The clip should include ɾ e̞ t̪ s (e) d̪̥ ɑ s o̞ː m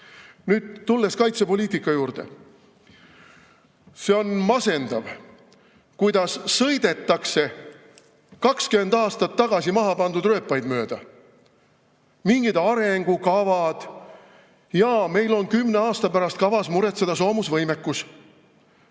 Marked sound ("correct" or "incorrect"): correct